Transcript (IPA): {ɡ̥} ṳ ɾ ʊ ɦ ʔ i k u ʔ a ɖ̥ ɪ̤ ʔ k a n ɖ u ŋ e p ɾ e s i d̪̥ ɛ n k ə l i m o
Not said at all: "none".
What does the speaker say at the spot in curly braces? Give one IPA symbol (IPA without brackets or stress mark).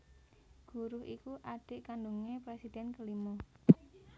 ɡ̥